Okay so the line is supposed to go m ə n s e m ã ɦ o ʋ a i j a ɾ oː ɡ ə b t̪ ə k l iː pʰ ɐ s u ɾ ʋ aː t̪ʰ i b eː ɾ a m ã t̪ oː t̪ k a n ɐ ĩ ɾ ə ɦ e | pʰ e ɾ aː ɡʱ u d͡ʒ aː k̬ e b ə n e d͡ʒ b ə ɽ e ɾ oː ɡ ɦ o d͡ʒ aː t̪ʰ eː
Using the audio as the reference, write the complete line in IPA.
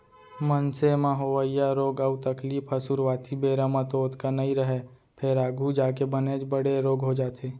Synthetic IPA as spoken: m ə n s e m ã ɦ o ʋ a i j a ɾ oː ɡ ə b t̪ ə k l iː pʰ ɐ s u ɾ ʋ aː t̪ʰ i b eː ɾ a m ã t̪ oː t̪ k a n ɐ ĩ ɾ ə ɦ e | pʰ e ɾ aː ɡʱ u d͡ʒ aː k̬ e b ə n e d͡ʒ b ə ɽ e ɾ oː ɡ ɦ o d͡ʒ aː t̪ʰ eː